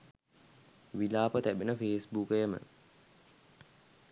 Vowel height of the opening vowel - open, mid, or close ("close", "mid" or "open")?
close